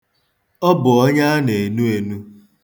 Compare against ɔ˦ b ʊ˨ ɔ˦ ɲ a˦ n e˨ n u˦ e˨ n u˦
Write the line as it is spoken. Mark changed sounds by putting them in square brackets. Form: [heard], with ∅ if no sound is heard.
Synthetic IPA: ɔ˦ b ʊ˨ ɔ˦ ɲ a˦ n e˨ n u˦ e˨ n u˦

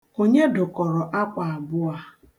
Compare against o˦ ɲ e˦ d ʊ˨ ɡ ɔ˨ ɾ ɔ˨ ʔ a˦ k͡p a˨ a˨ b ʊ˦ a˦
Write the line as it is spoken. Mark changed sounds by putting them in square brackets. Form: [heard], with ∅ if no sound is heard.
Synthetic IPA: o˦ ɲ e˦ d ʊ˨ [k] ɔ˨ ɾ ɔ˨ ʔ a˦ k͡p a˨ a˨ b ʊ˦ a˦

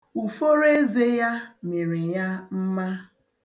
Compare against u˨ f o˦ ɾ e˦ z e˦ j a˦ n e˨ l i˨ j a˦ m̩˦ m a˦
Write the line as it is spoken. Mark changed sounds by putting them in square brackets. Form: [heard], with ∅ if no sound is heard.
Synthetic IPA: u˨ f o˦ ɾ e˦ z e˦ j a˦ [m] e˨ [ɾ] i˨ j a˦ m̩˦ m a˦

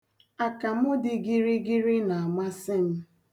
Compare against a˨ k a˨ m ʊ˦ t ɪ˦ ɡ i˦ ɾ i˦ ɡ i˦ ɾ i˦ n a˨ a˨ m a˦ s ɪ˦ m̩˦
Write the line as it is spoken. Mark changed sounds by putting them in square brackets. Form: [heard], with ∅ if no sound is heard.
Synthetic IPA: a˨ k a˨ m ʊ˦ [d] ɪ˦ ɡ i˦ ɾ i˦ ɡ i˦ ɾ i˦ n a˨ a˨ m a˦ s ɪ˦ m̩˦

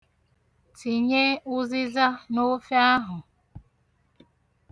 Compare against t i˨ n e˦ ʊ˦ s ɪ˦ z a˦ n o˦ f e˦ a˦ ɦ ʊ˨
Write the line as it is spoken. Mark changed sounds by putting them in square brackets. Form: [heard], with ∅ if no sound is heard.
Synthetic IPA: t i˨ [ɲ] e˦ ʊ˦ [z] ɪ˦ z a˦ n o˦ f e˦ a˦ ɦ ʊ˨

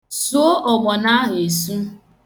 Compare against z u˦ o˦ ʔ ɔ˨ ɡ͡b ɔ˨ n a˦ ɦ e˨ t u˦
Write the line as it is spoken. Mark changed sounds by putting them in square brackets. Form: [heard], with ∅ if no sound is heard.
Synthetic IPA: [s] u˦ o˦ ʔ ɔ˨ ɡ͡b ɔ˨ n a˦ ɦ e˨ [s] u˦

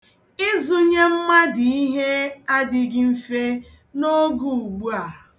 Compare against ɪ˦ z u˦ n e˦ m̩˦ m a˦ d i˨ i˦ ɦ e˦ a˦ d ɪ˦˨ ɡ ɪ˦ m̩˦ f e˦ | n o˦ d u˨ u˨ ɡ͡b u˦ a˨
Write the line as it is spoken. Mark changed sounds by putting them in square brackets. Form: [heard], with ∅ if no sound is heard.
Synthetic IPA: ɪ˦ z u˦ [ɲ] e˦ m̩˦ m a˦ d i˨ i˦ ɦ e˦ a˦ d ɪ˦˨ ɡ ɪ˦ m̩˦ f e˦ | n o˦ [ɡ] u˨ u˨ ɡ͡b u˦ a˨

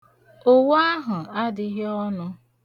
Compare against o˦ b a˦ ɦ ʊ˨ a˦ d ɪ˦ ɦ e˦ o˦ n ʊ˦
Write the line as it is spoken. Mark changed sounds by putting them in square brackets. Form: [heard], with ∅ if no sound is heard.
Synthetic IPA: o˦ [w] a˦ ɦ ʊ˨ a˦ d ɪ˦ ɦ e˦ [ɔ˦] n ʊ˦

